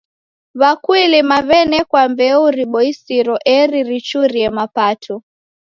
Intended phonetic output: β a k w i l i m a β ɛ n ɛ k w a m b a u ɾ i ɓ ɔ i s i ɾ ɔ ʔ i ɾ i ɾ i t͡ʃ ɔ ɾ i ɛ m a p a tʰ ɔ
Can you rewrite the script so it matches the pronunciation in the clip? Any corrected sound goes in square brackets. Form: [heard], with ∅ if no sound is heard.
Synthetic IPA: β a k w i l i m a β ɛ n ɛ k w a m b [ɛ] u ɾ i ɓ ɔ i s i ɾ ɔ ʔ [ɛ] ɾ i ɾ i t͡ʃ [u] ɾ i ɛ m a p a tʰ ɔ

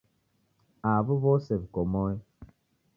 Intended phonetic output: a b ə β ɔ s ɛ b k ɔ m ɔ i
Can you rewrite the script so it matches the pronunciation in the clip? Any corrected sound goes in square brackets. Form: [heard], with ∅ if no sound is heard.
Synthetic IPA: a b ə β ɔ s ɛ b k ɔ m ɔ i

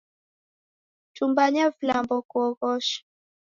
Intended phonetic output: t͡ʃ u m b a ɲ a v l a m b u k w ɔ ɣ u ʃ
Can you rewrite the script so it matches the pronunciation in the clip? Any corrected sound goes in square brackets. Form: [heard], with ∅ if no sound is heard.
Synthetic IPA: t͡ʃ u m b a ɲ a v l a m b [ɔ] k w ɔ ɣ [ɔ] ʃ

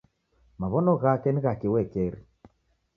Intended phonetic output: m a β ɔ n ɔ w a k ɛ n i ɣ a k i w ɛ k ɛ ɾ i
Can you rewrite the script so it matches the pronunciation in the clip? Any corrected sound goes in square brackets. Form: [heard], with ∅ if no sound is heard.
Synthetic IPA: m a β ɔ n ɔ [ɣ] a k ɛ n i ɣ a k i w ɛ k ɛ ɾ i

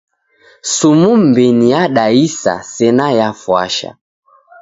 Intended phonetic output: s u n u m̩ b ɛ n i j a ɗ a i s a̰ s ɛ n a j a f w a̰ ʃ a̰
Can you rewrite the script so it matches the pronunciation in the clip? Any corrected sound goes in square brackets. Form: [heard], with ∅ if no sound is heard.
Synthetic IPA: s u [m] u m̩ b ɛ n i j a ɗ a i s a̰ s ɛ n a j a f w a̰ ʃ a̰

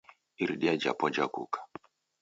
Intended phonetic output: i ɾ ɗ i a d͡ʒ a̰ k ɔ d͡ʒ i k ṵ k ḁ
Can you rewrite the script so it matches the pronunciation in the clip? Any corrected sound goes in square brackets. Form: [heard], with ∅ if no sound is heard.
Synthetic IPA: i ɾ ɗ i a d͡ʒ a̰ [p] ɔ d͡ʒ [a] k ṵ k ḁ

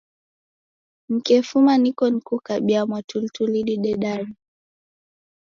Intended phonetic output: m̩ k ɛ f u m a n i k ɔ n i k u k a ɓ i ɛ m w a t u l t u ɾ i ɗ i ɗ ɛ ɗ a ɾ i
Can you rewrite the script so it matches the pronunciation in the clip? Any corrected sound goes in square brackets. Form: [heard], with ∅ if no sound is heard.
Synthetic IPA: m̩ k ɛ f u m a n i k ɔ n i k u k a ɓ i [a] m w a t u l t u [l] i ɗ i ɗ ɛ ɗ a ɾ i

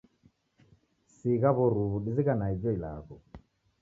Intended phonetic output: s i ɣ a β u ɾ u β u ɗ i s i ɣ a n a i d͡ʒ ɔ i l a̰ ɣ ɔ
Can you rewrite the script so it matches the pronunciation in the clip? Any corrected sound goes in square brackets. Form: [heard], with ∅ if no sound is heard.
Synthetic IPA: s i ɣ a β [ɔ] ɾ u β u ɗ i [z] i ɣ a n a i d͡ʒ ɔ i l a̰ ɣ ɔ

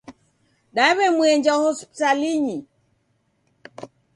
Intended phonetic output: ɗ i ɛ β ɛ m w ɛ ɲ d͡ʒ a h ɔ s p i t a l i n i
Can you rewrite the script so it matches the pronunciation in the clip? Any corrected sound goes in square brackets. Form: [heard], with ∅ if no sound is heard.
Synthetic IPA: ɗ [a] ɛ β ɛ m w ɛ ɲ d͡ʒ a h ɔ s p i t a l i [ɲ] i

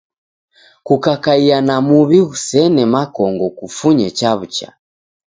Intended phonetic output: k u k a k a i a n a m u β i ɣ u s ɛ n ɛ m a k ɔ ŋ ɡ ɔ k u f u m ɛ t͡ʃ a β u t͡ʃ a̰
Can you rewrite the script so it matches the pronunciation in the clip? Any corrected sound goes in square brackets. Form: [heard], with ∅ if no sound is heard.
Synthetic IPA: k u k a k a i a n a m u β i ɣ u s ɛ n ɛ m a k ɔ ŋ ɡ ɔ k u f u [ɲ] ɛ t͡ʃ a β u t͡ʃ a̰

